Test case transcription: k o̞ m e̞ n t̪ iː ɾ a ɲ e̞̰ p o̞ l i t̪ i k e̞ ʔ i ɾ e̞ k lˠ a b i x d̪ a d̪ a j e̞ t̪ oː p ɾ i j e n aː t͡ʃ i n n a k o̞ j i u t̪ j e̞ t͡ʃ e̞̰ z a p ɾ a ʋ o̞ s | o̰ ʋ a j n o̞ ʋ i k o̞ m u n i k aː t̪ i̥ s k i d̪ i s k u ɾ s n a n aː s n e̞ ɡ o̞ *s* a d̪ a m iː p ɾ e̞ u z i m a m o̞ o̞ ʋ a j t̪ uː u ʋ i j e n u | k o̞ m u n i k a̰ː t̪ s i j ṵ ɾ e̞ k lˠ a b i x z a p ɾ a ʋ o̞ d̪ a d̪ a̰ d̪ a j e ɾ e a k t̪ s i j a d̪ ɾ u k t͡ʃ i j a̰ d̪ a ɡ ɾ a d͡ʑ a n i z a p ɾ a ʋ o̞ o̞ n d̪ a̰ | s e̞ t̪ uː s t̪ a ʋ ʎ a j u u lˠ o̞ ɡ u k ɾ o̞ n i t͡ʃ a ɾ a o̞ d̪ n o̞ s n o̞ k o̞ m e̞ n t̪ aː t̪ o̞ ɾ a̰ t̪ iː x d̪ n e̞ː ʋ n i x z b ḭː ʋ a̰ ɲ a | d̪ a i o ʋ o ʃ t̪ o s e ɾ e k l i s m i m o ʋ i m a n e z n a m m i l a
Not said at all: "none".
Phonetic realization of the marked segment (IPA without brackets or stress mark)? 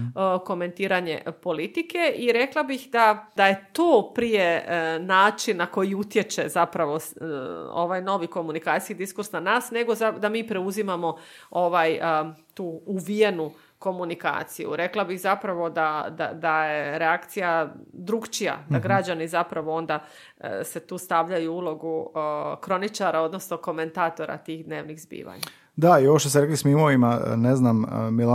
z